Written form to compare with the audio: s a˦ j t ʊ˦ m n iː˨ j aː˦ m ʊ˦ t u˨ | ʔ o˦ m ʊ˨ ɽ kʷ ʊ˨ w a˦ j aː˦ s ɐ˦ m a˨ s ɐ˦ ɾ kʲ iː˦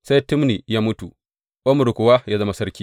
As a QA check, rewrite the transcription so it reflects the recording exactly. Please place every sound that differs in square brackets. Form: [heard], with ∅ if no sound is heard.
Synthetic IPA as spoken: s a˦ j t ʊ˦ m n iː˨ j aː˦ m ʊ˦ t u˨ | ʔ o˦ m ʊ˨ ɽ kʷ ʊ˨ w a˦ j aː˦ [z] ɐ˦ m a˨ s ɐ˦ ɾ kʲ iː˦